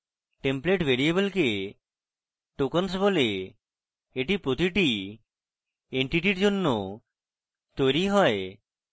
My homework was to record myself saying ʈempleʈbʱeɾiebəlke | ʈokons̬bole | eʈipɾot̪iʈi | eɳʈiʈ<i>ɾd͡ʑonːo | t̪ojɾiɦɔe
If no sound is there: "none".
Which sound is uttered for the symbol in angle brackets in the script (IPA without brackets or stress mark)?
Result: i